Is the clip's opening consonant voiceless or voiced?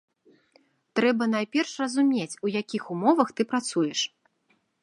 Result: voiceless